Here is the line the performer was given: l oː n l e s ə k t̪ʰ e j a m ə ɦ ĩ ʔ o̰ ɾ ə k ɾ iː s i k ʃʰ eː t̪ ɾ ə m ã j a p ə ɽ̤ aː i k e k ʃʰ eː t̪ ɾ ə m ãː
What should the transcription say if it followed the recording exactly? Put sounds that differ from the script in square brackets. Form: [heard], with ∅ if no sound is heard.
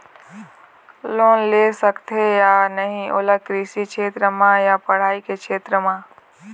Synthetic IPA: l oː n l e s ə k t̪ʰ e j a [n] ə ɦ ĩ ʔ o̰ [l] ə k ɾ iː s i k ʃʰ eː t̪ ɾ ə m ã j a p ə ɽ̤ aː i k e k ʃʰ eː t̪ ɾ ə m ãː